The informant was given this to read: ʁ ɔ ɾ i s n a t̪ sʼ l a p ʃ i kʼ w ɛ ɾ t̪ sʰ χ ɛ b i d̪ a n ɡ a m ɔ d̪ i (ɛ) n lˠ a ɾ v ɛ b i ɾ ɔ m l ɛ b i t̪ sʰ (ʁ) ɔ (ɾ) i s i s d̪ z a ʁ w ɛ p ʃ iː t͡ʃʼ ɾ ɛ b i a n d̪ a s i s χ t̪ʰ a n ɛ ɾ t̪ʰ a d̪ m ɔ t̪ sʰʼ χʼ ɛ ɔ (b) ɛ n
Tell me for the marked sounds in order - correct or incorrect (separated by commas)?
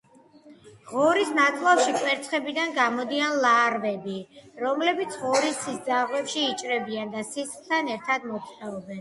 incorrect, correct, correct, correct